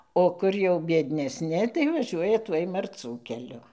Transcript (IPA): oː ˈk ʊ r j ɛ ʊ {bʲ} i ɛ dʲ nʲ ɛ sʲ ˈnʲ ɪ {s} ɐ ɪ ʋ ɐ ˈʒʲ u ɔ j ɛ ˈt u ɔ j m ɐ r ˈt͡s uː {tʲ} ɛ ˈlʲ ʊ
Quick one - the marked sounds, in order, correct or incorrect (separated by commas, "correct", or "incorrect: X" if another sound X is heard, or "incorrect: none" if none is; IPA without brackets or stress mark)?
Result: correct, incorrect: t, incorrect: kʲ